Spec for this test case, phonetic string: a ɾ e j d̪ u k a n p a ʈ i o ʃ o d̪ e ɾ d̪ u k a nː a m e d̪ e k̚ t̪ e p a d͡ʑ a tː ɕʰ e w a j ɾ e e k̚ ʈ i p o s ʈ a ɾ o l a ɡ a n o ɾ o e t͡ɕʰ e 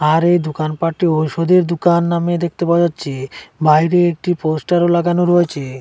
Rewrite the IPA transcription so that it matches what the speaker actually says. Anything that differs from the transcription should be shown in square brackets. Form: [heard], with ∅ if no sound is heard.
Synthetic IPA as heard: a ɾ e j d̪ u k a n p a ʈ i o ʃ o d̪ e ɾ d̪ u k a nː a m e d̪ e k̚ t̪ e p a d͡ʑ a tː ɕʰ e [b] a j ɾ e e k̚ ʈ i p o s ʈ a ɾ o l a ɡ a n o ɾ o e t͡ɕʰ e